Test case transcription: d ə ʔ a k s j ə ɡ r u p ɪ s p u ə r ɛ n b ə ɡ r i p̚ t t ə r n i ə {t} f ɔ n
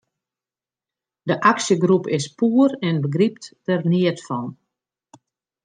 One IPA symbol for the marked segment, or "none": t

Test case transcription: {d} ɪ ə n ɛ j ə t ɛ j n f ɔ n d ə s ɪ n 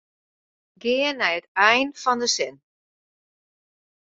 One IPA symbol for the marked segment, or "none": ɡ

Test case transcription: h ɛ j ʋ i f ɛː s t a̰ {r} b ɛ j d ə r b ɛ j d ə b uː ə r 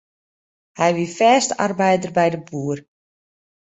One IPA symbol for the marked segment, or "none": r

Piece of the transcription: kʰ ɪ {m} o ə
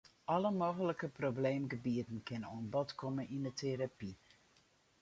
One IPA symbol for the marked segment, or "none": n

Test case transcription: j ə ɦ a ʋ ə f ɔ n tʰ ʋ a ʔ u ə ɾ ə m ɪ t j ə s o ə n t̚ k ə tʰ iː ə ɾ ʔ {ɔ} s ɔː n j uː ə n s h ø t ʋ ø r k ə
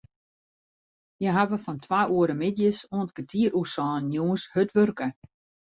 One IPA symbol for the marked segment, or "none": u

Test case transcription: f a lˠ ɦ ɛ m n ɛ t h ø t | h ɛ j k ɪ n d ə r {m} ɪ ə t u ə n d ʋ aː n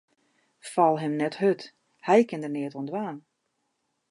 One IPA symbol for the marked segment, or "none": n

